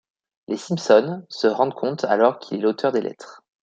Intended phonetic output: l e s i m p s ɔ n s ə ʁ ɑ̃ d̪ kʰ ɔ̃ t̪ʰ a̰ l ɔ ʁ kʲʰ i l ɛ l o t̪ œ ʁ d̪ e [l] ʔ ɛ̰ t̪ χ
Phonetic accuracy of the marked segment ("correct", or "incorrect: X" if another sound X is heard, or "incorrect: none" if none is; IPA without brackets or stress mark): correct